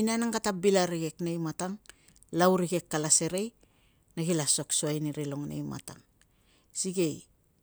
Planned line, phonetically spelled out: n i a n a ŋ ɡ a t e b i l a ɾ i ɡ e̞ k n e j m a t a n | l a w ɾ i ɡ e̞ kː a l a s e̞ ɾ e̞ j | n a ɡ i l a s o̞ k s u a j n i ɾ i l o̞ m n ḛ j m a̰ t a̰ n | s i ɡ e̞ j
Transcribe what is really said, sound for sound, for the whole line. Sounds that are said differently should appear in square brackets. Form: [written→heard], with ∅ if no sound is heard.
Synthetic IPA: n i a n a ŋ ɡ a t [e→a] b i l a ɾ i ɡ e̞ k n e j m a t a [n→ŋ] | l a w ɾ i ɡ e̞ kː a l a s e̞ ɾ e̞ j | n a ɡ i l a s o̞ k s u a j n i ɾ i l o̞ [m→ŋ] n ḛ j m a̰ t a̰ [n→ŋ] | s i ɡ e̞ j